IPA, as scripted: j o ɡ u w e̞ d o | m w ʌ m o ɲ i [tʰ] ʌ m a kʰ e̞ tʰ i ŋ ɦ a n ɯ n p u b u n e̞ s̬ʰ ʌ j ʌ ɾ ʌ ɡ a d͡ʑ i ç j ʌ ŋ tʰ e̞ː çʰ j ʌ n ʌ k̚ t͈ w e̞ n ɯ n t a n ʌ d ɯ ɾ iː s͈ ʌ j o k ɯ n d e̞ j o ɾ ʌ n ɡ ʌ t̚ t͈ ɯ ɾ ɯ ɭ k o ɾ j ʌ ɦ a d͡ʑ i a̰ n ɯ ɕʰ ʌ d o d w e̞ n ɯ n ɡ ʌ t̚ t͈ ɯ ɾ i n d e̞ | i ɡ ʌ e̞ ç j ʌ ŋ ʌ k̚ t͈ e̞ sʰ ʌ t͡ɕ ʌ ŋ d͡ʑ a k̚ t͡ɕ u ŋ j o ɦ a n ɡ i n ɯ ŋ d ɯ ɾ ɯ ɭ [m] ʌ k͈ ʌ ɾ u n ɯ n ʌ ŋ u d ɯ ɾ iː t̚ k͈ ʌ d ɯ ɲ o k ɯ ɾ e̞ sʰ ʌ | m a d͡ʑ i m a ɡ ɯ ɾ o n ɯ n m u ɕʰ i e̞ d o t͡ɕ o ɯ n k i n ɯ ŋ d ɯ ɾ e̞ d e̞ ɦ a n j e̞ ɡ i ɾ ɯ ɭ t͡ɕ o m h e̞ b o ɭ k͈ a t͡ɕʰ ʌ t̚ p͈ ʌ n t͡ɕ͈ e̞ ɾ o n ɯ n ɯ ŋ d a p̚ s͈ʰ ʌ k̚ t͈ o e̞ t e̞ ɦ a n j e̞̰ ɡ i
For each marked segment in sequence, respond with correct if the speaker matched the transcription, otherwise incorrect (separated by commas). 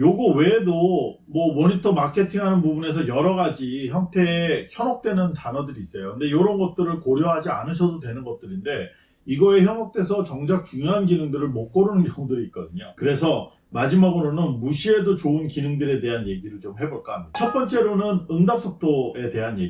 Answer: correct, correct